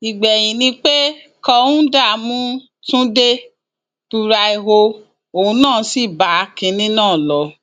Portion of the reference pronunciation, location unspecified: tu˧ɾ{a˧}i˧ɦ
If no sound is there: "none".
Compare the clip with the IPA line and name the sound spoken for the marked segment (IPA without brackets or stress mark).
a˧